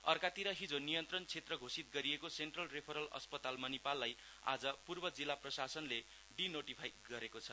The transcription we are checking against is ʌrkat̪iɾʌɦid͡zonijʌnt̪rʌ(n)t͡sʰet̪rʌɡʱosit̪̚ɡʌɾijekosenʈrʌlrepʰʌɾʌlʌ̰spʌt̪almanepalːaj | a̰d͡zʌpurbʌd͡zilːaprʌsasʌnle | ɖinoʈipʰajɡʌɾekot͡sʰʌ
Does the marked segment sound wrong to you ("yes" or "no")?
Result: no